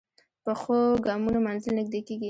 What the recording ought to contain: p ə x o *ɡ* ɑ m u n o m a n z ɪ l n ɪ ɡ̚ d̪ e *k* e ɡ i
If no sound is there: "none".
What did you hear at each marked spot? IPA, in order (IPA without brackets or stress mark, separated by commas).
ɡ, k